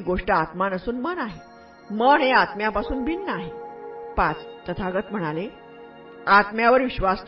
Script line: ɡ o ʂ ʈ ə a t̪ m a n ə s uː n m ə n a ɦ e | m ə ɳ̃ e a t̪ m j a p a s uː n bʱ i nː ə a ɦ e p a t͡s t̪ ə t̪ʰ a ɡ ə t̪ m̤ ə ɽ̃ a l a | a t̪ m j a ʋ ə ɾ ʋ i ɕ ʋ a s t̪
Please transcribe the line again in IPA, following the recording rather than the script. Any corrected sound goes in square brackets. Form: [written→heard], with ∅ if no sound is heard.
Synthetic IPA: ɡ o ʂ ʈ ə a t̪ m a n ə s uː n m ə n a ɦ e | m ə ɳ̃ e a t̪ m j a p a s uː n bʱ i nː ə a ɦ e p a t͡s t̪ ə t̪ʰ a ɡ ə t̪ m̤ ə ɽ̃ a l [a→e] | a t̪ m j a ʋ ə ɾ ʋ i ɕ ʋ a s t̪